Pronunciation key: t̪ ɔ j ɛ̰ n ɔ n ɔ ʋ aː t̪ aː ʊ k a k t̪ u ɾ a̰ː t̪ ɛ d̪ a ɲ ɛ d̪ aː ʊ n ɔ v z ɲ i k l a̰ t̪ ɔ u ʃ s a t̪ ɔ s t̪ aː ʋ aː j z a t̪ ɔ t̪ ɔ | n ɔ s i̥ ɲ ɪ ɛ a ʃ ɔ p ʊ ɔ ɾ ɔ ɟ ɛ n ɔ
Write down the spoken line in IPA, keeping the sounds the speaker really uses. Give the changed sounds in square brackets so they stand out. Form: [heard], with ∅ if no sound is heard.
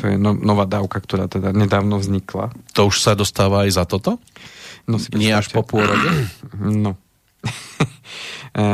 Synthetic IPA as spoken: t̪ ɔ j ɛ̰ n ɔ n ɔ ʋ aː [d̪] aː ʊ k a k t̪ [ɔ] ɾ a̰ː t̪ ɛ d̪ a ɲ ɛ d̪ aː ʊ n ɔ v z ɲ i k l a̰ t̪ ɔ u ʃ s a [d̪] ɔ s t̪ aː ʋ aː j z a t̪ ɔ t̪ ɔ | n ɔ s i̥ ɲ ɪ ɛ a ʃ ɔ p ʊ ɔ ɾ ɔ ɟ ɛ n ɔ